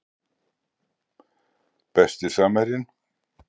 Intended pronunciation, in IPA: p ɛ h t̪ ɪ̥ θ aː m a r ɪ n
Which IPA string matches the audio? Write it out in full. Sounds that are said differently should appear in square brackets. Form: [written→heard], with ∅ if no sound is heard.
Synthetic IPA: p ɛ [h→s] t̪ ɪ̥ [θ→s] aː m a [r→ɾ] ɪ n